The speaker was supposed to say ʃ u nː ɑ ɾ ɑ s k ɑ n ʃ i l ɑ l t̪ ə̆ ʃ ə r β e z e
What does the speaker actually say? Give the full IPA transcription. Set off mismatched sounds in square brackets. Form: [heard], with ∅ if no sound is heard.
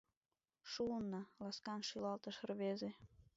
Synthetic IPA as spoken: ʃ u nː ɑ [l] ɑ s k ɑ n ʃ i l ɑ l t̪ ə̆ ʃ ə r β e z e